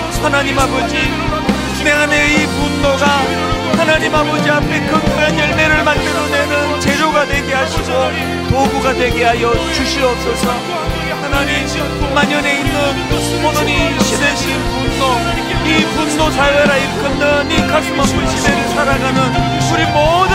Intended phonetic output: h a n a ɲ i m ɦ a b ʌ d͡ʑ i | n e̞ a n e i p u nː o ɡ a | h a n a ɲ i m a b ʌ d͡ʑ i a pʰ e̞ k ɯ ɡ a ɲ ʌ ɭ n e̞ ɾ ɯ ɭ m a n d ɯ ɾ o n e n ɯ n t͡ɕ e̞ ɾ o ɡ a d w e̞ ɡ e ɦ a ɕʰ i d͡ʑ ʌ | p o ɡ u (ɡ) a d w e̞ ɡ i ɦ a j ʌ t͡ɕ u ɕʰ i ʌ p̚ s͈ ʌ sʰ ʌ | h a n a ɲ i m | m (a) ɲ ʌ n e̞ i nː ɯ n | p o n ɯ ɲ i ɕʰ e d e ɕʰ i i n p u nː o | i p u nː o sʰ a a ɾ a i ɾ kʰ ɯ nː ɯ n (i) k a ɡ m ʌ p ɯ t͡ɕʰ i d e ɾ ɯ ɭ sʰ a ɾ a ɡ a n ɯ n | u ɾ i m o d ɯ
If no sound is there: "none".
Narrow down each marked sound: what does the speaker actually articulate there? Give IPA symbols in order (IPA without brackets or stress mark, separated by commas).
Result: ɡ, a, i